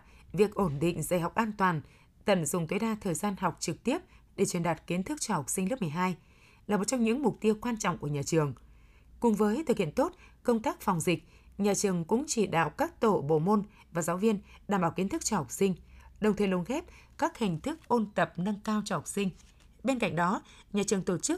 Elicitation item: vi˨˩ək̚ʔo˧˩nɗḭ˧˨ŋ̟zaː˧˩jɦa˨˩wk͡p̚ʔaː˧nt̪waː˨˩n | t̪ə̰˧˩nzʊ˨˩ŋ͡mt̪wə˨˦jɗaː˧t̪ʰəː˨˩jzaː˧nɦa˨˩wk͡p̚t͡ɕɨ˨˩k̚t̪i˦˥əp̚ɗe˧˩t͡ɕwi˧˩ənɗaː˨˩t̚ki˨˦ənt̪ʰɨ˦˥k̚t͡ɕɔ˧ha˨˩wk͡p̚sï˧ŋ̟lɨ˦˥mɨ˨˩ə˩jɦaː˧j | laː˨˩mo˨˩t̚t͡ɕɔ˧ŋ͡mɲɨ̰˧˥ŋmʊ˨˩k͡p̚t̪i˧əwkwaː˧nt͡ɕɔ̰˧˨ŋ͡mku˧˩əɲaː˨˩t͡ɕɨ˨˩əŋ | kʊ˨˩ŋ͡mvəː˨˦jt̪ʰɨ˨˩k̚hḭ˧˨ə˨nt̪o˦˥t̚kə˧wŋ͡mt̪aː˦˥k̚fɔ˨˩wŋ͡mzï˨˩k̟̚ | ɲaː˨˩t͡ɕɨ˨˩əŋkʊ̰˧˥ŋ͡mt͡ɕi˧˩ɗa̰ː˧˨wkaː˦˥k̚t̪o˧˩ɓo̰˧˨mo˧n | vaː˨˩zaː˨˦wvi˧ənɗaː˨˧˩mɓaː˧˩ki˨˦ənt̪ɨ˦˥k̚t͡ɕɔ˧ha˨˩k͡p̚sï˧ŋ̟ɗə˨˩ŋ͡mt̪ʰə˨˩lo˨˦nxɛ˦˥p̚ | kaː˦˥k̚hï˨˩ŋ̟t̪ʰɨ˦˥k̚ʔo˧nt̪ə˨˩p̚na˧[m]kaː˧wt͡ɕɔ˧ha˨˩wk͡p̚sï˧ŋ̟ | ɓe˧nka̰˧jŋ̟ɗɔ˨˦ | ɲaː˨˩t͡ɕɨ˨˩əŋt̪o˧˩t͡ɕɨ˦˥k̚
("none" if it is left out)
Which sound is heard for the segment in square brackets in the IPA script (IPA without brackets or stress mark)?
ŋ